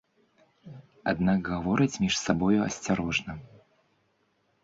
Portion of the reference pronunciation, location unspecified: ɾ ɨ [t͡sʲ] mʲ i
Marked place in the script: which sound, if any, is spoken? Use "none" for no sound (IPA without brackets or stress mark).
t͡sʲ